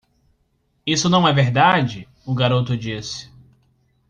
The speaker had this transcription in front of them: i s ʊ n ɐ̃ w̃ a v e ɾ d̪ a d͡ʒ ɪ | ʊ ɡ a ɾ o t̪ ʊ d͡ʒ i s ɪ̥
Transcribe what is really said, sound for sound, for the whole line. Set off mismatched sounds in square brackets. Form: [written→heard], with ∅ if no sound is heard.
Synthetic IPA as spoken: i s ʊ n ɐ̃ w̃ [a→ɛ] v e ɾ d̪ a d͡ʒ ɪ | ʊ ɡ a ɾ o t̪ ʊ d͡ʒ i s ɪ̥